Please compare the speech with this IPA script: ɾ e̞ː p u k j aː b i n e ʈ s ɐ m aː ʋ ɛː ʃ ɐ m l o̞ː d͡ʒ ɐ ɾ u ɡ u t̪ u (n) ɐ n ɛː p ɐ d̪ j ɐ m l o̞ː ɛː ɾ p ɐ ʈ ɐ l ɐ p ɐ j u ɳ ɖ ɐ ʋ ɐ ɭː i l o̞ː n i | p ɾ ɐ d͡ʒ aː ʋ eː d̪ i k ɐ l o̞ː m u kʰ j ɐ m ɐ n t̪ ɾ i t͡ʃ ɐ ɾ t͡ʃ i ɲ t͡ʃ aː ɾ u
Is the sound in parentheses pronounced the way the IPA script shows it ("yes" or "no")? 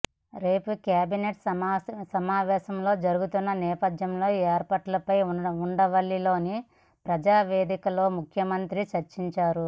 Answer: no